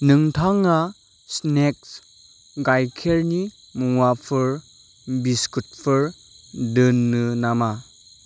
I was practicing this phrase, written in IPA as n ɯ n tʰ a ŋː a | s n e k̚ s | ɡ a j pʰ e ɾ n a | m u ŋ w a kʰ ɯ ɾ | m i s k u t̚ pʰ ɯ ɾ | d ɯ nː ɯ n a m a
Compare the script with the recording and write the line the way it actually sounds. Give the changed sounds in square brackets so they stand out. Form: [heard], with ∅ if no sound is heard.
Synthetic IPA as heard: n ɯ [ŋ] tʰ a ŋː a | s n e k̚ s | ɡ a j [kʰ] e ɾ n [i] | m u ŋ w a [pʰ] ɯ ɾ | [b] i s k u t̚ pʰ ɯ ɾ | d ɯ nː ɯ n a m a